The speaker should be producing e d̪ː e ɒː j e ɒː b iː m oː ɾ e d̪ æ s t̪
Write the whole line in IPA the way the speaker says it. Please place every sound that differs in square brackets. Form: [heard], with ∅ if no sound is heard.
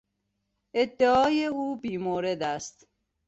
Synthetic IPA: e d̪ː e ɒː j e [uː] b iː m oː ɾ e d̪ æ s t̪

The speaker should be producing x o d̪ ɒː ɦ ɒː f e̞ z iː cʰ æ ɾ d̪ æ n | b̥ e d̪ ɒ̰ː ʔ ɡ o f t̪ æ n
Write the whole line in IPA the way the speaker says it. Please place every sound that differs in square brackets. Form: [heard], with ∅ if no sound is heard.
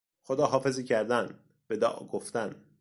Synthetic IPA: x o d̪ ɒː ɦ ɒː f e̞ z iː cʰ æ ɾ d̪ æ n | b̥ e d̪ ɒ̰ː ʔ ɡ o f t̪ æ n

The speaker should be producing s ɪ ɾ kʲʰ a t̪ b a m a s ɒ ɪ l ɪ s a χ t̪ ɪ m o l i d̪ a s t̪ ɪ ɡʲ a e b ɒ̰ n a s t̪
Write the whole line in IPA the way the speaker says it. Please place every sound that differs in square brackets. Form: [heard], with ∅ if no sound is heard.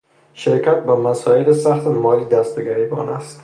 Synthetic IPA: [ʃ] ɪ ɾ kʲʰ a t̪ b a m a s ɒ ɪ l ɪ s a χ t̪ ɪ m [ɒ] l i d̪ a s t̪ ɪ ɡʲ a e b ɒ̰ n a s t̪

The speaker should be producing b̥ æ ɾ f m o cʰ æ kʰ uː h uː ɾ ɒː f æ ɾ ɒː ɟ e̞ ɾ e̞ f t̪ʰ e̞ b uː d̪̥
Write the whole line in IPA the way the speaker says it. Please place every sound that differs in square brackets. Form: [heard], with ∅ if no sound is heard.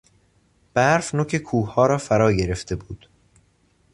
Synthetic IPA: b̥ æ ɾ f [n] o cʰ [e] kʰ uː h [ɒː] ɾ ɒː f æ ɾ ɒː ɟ e̞ ɾ e̞ f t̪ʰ e̞ b uː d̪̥

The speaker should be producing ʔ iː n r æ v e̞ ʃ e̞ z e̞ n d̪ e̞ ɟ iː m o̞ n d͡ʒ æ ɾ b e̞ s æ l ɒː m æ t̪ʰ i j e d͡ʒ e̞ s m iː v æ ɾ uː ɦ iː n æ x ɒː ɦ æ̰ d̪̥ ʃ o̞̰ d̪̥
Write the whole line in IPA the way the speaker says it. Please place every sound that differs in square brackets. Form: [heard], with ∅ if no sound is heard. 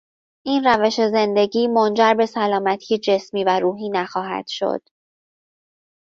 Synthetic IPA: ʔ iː n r æ v e̞ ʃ e̞ z e̞ n d̪ e̞ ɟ iː m o̞ n d͡ʒ æ ɾ b e̞ s æ l ɒː m æ t̪ʰ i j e d͡ʒ e̞ s m iː v æ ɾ uː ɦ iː n æ x ɒː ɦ æ̰ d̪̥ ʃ o̞̰ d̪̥

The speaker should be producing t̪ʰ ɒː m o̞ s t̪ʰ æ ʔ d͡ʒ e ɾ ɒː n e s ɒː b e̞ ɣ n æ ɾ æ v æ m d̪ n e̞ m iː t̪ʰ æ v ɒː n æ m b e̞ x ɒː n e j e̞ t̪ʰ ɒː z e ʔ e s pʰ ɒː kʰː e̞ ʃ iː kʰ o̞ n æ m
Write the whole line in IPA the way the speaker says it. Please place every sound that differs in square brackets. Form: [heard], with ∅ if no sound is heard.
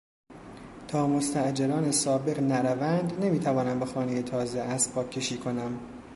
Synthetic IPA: t̪ʰ ɒː m o̞ s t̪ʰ æ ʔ d͡ʒ e ɾ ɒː n e s ɒː b e̞ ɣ n æ ɾ æ v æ [n] d̪ n e̞ m iː t̪ʰ æ v ɒː n æ m b e̞ x ɒː n e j e̞ t̪ʰ ɒː z e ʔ [æ] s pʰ ɒː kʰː e̞ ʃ iː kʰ o̞ n æ m

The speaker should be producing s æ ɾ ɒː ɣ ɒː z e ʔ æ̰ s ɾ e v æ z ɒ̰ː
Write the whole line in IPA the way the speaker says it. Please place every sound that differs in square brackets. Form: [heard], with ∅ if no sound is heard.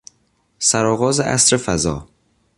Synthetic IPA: s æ ɾ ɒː ɣ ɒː z e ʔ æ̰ s ɾ e [f] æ z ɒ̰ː

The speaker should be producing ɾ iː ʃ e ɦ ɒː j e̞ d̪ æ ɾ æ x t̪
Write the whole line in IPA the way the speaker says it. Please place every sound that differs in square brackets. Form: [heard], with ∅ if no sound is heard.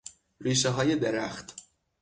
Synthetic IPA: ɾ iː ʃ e ɦ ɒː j e̞ d̪ [e] ɾ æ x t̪

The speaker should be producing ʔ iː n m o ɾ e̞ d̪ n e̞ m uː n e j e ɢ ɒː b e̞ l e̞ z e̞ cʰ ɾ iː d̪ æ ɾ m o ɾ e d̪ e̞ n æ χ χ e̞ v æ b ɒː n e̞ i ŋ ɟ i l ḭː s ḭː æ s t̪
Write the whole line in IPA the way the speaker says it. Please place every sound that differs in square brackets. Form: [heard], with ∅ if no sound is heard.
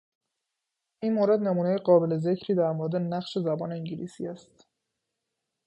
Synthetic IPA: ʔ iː n m o ɾ e̞ d̪ n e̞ m uː n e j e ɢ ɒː b e̞ l e̞ z e̞ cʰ ɾ iː d̪ æ ɾ m o ɾ e d̪ e̞ n æ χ [ʃ] e̞ [z] æ b ɒː n e̞ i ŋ ɟ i l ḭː s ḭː æ s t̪

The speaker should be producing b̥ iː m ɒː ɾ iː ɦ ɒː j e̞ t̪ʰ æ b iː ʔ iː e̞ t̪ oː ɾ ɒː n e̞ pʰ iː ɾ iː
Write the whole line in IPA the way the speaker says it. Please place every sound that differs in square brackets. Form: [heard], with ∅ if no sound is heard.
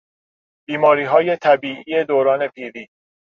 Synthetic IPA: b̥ iː m ɒː ɾ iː ɦ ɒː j e̞ t̪ʰ æ b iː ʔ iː e̞ [d̪] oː ɾ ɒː n e̞ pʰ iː ɾ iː

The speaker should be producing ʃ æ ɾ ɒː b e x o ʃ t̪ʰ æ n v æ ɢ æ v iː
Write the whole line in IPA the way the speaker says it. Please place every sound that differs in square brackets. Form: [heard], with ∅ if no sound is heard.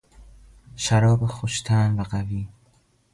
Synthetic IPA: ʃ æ ɾ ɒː b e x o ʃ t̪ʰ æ n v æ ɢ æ v iː

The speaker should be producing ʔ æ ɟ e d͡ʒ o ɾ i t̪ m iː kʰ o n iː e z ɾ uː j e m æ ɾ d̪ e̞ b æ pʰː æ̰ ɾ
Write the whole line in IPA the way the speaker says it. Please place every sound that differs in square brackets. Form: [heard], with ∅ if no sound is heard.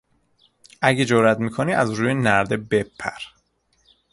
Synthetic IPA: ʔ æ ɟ e d͡ʒ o ɾ [æ] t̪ m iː kʰ o n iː [æ] z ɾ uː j e [n] æ ɾ d̪ e̞ b [e] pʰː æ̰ ɾ

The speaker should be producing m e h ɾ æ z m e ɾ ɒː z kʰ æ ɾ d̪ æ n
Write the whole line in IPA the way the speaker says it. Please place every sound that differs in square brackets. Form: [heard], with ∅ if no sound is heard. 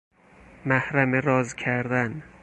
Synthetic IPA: m [æ] h ɾ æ [∅] m e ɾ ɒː z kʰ æ ɾ d̪ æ n

